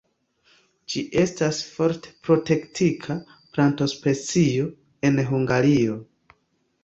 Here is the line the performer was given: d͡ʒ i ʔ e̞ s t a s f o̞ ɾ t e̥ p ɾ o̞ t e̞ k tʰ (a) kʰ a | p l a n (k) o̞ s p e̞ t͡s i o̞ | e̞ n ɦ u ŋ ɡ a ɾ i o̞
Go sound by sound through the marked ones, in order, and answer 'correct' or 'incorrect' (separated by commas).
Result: incorrect, incorrect